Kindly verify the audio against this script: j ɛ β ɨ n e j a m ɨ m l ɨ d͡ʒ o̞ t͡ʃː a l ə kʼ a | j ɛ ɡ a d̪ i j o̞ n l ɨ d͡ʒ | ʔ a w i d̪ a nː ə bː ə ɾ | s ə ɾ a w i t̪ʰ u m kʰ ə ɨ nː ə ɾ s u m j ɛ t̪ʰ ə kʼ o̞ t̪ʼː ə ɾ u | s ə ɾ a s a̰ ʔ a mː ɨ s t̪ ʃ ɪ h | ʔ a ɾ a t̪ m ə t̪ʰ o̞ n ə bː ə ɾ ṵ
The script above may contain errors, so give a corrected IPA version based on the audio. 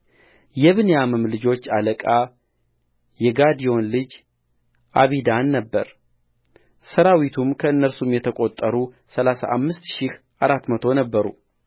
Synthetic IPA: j ɛ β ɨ n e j a m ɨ m l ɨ d͡ʒ o̞ t͡ʃː a l ə kʼ a | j ɛ ɡ a d̪ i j o̞ n l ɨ d͡ʒ | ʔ a β i d̪ a nː ə bː ə ɾ | s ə ɾ a w i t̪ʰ u m kʰ ə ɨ nː ə ɾ s u m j ɛ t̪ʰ ə kʼ o̞ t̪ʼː ə ɾ u | s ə l a s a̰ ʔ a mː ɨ s t̪ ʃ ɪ h | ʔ a ɾ a t̪ m ə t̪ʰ o̞ n ə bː ə ɾ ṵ

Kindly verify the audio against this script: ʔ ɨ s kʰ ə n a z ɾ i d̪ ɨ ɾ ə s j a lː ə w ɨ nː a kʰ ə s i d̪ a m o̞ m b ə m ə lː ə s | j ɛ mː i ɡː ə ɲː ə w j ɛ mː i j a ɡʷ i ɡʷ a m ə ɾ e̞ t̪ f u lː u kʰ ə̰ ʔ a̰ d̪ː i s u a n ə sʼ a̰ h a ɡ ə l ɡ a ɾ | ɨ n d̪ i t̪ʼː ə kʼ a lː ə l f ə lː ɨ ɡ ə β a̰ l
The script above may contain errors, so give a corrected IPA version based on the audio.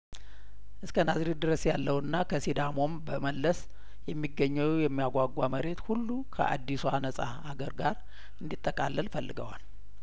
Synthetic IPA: ʔ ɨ s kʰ ə n a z ɾ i d̪ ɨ ɾ ə s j a lː ə w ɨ nː a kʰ ə s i d̪ a m o̞ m b ə m ə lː ə s | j ɛ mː i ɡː ə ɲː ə w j ɛ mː i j a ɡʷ a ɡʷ a m ə ɾ e̞ t̪ h u lː u kʰ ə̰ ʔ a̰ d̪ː i s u a n ə sʼ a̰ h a ɡ ə ɾ ɡ a ɾ | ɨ n d̪ i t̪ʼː ə kʼ a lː ə l f ə lː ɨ ɡ ə w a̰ l

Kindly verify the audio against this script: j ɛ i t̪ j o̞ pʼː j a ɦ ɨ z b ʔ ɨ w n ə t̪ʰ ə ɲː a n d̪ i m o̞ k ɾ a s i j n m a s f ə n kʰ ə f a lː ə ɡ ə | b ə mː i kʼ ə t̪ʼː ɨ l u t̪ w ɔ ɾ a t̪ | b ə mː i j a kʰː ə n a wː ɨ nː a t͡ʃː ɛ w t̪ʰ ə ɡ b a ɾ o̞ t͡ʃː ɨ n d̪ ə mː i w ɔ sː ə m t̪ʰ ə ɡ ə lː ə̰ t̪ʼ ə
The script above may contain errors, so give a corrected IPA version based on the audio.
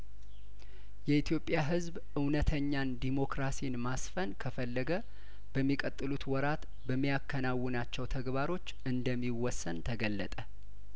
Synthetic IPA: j ɛ i t̪ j o̞ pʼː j a ɦ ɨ z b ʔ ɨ w n ə t̪ʰ ə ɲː a n d̪ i m o̞ k ɾ a s i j n m a s f ə n kʰ ə f ə lː ə ɡ ə | b ə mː i kʼ ə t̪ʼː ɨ l u t̪ w ɔ ɾ a t̪ | b ə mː i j a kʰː ə n a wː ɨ n a t͡ʃː ɛ w t̪ʰ ə ɡ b a ɾ o̞ t͡ʃː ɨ n d̪ ə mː i w ɔ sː ə n t̪ʰ ə ɡ ə lː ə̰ t̪ʼ ə

